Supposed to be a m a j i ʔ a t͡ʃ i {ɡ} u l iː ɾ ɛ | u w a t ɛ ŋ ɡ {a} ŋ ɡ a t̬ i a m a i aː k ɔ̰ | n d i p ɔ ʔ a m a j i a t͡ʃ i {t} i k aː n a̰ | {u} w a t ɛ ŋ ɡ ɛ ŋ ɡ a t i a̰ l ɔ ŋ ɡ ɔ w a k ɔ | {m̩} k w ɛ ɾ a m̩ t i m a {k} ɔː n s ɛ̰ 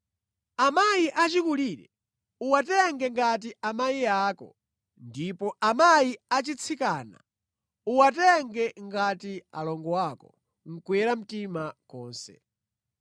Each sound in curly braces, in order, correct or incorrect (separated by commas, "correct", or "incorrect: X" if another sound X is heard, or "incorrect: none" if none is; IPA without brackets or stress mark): incorrect: k, incorrect: ɛ, incorrect: t͡sʰ, correct, incorrect: ŋ̩, correct